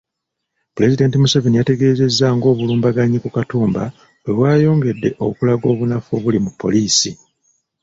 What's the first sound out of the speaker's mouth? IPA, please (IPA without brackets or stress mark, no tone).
p